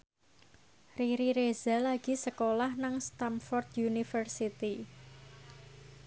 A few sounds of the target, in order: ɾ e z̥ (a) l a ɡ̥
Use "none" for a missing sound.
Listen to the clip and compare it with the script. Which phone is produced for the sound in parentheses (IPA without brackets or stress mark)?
a